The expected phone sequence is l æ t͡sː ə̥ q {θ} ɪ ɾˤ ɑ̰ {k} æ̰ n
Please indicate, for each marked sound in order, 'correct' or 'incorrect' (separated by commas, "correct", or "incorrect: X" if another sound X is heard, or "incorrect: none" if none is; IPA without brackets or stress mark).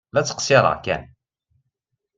incorrect: s, correct